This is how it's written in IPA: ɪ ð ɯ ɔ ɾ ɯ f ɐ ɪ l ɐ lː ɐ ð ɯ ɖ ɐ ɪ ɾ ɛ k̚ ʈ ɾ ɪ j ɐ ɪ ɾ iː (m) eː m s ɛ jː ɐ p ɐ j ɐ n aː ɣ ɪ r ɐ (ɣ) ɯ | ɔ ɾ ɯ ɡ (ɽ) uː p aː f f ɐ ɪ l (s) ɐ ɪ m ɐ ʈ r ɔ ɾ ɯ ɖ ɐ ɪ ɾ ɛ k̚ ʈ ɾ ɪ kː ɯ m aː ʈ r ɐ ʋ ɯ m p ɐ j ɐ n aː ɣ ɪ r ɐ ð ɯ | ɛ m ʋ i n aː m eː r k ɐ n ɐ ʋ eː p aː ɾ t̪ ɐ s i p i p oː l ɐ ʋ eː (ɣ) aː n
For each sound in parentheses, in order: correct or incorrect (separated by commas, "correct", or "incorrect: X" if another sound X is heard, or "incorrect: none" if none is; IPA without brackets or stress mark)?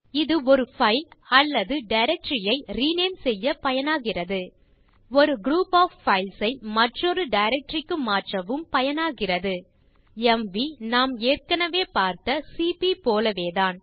incorrect: n, incorrect: ð, incorrect: ɾ, correct, incorrect: ð